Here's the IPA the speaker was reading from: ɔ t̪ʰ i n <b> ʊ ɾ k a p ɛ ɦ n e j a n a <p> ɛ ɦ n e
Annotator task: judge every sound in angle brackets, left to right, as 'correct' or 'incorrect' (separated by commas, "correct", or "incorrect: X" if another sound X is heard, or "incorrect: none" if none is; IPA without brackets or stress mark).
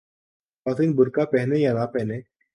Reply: correct, correct